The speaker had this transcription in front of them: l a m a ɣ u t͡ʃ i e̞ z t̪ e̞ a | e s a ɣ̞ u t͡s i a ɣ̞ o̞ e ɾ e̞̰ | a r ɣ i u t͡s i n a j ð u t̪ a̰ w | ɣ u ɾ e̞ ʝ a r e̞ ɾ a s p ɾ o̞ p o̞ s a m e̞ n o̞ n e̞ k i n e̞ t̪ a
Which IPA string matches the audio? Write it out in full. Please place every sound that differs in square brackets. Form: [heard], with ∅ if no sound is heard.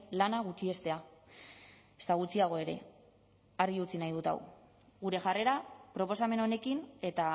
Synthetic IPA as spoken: l a [n] a ɣ u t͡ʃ i e̞ [s] t̪ e̞ a | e s a ɣ̞ u t͡s i a ɣ̞ o̞ e ɾ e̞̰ | a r ɣ i u t͡s i n a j ð u t̪ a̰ w | ɣ u ɾ e̞ ʝ a r e̞ ɾ a [∅] p ɾ o̞ p o̞ s a m e̞ n o̞ n e̞ k i n e̞ t̪ a